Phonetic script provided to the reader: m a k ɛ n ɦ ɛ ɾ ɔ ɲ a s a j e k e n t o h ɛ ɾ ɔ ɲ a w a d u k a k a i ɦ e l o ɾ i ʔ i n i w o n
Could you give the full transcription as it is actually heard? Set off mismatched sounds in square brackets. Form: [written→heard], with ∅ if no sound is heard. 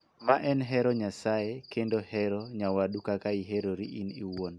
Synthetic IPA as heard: m a [k→ʔ] ɛ n ɦ ɛ ɾ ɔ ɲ a s a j e k e n [t→d] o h ɛ ɾ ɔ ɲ a w a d u k a k a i ɦ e [l→ɾ] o ɾ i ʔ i n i w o n